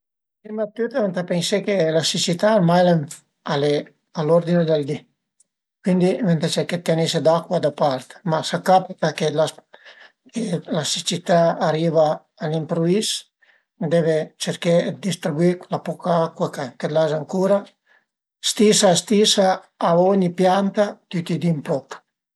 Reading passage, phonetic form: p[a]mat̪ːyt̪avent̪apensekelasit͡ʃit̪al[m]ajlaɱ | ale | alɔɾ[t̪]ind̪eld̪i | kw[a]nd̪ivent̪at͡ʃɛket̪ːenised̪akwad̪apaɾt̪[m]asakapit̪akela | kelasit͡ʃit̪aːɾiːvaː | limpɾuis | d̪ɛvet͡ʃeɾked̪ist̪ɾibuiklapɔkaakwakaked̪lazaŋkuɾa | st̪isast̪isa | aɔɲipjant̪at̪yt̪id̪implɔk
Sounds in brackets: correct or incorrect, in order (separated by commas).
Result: incorrect, correct, incorrect, incorrect, correct